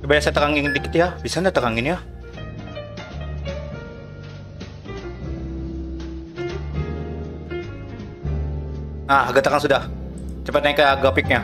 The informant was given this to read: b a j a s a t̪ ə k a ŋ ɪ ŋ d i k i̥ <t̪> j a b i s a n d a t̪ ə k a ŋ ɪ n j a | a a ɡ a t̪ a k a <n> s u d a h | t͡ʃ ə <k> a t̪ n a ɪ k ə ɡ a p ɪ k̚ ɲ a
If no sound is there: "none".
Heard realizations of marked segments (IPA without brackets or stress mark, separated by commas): t̪, ŋ, p